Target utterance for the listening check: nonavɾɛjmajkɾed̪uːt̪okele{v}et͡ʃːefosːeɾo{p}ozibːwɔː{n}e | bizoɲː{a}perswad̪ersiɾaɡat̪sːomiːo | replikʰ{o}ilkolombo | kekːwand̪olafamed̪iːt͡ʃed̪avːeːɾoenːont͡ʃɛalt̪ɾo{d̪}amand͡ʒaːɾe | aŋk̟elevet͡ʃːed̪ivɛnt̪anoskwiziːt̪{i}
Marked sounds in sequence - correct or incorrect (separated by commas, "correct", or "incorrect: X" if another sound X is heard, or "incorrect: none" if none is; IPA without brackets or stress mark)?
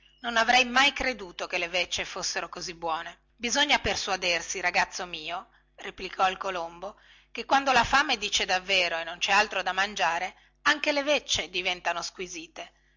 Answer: correct, incorrect: k, correct, correct, incorrect: ɔ, correct, incorrect: e